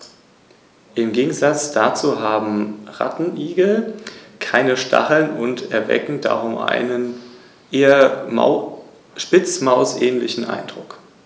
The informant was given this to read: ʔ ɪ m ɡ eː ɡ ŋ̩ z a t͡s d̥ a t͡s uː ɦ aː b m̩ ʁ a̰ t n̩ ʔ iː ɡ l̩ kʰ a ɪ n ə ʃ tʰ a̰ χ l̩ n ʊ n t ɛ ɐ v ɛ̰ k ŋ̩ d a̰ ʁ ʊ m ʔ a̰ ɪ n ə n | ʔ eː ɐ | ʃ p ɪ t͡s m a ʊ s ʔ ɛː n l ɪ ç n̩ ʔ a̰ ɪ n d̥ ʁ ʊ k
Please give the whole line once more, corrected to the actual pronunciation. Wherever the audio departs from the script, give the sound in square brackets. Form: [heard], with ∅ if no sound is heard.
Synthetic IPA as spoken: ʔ ɪ m ɡ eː ɡ ŋ̩ z a t͡s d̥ a t͡s uː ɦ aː b m̩ ʁ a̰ t n̩ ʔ iː ɡ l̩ kʰ a ɪ n ə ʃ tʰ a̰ χ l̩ n ʊ n t ɛ ɐ v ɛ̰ k ŋ̩ d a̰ ʁ ʊ m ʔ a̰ ɪ n ə n | ʔ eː ɐ | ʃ p ɪ t͡s m a ʊ s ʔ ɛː n l ɪ ç n̩ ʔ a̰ ɪ n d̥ ʁ ʊ k